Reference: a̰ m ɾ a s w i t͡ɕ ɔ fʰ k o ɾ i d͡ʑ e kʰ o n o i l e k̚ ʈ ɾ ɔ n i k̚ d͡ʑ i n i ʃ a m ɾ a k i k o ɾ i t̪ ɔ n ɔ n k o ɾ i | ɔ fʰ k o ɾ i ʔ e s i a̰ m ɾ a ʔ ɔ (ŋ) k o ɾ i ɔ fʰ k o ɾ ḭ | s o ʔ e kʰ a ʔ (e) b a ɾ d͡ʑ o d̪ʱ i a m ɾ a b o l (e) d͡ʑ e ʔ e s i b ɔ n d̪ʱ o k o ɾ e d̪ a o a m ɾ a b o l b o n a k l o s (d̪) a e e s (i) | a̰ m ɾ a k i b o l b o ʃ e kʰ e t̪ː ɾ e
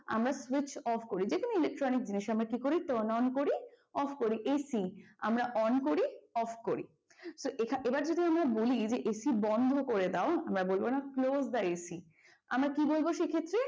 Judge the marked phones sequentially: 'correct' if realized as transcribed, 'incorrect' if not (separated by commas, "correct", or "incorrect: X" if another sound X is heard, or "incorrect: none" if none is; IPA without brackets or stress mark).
incorrect: n, correct, incorrect: i, correct, correct